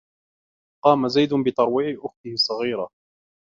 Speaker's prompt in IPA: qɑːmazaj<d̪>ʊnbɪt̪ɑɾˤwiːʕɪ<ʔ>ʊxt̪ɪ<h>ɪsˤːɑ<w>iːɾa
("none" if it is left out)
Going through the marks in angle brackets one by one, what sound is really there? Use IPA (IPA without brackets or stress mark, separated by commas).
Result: d̪, ʔ, h, ɣ